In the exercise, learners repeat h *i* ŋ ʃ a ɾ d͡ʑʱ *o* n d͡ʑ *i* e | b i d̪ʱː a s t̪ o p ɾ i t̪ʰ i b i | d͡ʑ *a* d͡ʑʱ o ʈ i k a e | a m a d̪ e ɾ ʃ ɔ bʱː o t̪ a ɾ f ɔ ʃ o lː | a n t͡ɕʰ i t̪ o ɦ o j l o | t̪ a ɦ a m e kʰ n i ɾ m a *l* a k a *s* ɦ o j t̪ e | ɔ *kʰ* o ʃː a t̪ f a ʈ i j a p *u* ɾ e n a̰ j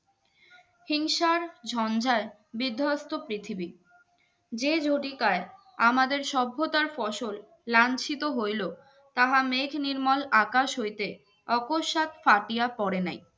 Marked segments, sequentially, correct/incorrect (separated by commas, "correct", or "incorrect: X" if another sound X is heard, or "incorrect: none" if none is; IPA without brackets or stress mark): correct, incorrect: ɔ, incorrect: a, incorrect: e, correct, incorrect: ʃ, incorrect: k, incorrect: ɔ